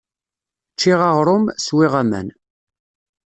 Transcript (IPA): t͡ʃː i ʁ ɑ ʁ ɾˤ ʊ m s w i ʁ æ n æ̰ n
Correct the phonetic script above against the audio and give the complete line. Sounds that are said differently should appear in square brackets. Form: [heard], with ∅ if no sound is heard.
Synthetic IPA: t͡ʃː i ʁ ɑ ʁ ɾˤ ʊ m s w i ʁ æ [m] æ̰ n